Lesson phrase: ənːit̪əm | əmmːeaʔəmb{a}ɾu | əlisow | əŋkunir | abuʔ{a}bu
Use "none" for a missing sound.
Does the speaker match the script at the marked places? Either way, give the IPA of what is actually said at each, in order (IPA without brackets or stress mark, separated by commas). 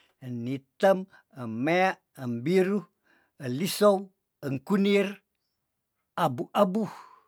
i, a